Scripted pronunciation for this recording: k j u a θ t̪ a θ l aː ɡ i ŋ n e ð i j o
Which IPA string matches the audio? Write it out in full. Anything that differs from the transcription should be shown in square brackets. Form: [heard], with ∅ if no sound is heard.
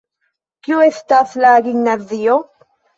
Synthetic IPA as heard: k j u [e] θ t̪ a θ l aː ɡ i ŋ n [a] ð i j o